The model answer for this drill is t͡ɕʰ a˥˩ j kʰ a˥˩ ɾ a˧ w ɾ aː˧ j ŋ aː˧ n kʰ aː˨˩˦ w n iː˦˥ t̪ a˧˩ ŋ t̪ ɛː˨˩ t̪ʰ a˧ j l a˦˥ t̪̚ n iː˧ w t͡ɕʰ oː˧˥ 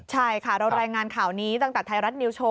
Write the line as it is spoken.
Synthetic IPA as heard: t͡ɕʰ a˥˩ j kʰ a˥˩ ɾ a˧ w ɾ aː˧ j ŋ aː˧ n kʰ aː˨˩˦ w n iː˦˥ t̪ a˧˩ ŋ t̪ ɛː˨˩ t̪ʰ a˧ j ɾ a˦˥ t̪̚ n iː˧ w t͡ɕʰ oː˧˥